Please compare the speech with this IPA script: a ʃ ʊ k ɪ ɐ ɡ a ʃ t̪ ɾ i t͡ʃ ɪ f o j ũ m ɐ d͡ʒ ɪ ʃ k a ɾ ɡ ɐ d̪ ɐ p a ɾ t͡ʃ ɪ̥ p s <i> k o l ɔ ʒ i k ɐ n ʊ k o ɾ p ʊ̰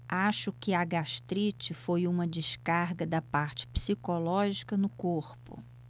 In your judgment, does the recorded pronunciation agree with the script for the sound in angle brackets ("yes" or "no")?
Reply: yes